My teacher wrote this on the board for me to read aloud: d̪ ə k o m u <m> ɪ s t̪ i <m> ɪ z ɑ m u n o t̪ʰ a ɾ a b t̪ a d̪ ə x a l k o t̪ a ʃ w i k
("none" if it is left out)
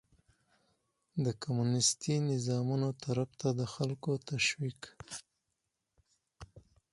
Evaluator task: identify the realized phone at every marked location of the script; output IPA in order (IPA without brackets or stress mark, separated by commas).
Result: n, n